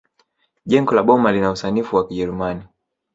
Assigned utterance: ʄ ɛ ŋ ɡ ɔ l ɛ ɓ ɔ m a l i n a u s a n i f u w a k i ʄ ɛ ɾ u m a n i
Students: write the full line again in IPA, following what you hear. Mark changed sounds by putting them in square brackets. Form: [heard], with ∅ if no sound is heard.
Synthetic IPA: ʄ ɛ ŋ ɡ ɔ l [a] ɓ ɔ m a l i n a u s a n i f u w a k i ʄ ɛ ɾ u m a n i